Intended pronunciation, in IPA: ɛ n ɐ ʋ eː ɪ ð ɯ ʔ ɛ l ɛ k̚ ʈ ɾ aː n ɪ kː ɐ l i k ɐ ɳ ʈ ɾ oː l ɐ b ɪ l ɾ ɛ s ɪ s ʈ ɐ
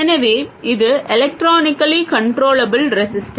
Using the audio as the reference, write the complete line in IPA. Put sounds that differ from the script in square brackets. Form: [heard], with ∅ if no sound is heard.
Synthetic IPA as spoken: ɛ n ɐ ʋ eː ɪ ð ɯ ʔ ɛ l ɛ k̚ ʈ ɾ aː n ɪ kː ɐ l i k ɐ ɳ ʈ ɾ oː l ɐ b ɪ l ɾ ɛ s ɪ s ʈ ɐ

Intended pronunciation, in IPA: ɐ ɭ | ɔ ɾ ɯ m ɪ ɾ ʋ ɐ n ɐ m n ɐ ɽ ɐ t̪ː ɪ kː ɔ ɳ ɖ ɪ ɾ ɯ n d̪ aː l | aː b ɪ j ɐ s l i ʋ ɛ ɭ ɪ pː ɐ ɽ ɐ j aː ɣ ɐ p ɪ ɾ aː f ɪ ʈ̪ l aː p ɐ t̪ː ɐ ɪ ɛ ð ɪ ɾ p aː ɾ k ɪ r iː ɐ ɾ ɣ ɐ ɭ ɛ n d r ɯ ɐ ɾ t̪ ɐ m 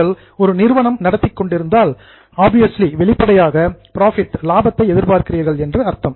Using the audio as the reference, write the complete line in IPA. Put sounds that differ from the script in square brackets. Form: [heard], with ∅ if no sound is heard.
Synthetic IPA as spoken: ɐ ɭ | ɔ ɾ ɯ [n] ɪ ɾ ʋ ɐ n ɐ m n ɐ ɽ ɐ t̪ː ɪ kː ɔ ɳ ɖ ɪ ɾ ɯ n d̪ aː l | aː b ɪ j ɐ s l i ʋ ɛ ɭ ɪ pː ɐ ɽ ɐ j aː ɣ ɐ p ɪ ɾ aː f ɪ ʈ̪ l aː [b] ɐ t̪ː ɐ ɪ ɛ ð ɪ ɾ p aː ɾ k ɪ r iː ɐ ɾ ɣ ɐ ɭ ɛ n d r ɯ ɐ ɾ t̪ ɐ m

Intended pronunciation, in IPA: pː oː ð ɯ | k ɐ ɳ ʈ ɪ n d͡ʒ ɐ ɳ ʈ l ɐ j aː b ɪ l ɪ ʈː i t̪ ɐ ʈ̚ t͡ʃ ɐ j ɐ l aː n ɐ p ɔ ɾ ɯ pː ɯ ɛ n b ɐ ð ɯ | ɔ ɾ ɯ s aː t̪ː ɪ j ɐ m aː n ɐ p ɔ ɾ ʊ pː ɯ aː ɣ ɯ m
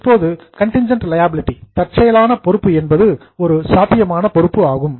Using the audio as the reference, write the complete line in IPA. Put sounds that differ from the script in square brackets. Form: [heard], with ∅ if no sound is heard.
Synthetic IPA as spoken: pː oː ð ɯ | k ɐ ɳ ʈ ɪ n d͡ʒ ɐ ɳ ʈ l ɐ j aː b ɪ l ɪ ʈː i t̪ ɐ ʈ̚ t͡ʃ ɐ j ɐ l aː n ɐ p ɔ ɾ ɯ pː ɯ ɛ n b ɐ ð ɯ | ɔ ɾ ɯ s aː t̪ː ɪ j ɐ m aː n ɐ p ɔ ɾ [ɯ] pː ɯ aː ɣ ɯ m

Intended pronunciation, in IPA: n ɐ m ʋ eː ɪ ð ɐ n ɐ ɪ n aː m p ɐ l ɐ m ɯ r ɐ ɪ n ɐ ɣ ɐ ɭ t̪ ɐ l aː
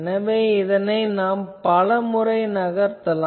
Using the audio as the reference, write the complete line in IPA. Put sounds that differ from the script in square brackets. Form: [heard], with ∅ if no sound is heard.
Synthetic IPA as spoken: n ɐ [∅] ʋ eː ɪ ð ɐ n ɐ ɪ n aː m p ɐ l ɐ m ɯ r ɐ ɪ n ɐ ɣ ɐ [ɾ] t̪ ɐ l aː

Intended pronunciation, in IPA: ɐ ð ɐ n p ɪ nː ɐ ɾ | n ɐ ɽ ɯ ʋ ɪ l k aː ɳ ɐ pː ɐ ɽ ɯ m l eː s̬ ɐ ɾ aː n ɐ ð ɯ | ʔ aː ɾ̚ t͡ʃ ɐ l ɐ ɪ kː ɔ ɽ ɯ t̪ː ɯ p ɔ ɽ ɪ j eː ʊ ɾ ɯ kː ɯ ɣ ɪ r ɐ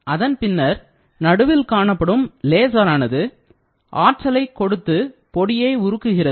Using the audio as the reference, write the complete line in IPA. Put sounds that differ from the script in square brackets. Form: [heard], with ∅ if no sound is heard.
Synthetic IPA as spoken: ɐ ð ɐ n p ɪ nː ɐ ɾ | n ɐ ɽ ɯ ʋ ɪ l k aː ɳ ɐ pː ɐ ɽ ɯ m l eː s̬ ɐ ɾ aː n ɐ ð ɯ | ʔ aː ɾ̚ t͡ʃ ɐ l ɐ ɪ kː ɔ ɽ ɯ t̪ː ɯ p ɔ ɽ ɪ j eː ʊ ɾ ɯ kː ɯ ɣ ɪ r ɐ

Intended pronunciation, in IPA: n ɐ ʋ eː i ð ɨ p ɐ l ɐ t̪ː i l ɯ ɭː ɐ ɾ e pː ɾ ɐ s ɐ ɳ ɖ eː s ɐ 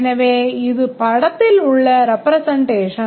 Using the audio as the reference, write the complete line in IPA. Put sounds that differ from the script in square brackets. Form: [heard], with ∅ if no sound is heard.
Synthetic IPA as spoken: n ɐ ʋ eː i ð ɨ p ɐ [ɽ] ɐ t̪ː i l [u] ɭː ɐ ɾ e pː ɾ ɐ s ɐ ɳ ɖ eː [ʂ] ɐ

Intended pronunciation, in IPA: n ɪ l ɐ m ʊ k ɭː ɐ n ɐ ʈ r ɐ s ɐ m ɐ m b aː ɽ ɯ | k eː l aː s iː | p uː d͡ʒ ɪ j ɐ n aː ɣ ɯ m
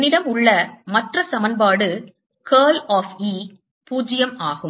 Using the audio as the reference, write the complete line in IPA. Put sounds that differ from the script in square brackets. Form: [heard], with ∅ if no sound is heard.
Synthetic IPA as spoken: n ɪ [ɽ] ɐ m ʊ [∅] ɭː ɐ [m] ɐ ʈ r ɐ s ɐ m ɐ [n] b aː ɽ ɯ | k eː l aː [f] iː | p uː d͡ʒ ɪ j ɐ [m] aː ɣ ɯ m

